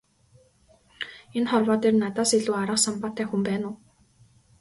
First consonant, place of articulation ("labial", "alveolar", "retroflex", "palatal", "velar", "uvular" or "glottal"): alveolar